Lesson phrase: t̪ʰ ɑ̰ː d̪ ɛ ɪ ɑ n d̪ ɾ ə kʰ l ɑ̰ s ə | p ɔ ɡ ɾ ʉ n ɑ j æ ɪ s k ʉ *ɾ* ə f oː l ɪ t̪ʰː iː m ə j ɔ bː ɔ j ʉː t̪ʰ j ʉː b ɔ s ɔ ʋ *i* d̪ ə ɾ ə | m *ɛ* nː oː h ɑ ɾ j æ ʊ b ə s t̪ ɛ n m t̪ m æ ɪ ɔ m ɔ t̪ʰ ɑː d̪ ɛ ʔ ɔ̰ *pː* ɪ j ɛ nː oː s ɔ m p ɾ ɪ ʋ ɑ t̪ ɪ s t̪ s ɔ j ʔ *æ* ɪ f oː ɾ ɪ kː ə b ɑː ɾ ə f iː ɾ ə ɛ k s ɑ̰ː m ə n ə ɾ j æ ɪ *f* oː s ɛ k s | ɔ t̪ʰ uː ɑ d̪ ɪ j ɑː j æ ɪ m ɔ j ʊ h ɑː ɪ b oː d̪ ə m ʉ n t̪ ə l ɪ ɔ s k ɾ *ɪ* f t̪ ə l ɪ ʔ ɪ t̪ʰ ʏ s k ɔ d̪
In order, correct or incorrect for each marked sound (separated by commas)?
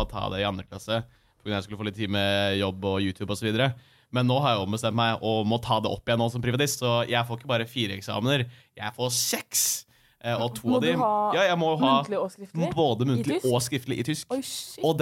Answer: incorrect, incorrect, correct, correct, correct, correct, correct